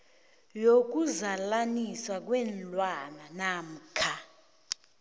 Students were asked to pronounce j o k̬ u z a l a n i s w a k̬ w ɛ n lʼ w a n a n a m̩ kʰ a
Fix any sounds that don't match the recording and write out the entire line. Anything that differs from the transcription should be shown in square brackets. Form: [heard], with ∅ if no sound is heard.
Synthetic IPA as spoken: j o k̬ u z a l a n i s w a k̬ w ɛ n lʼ w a n a n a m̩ kʰ a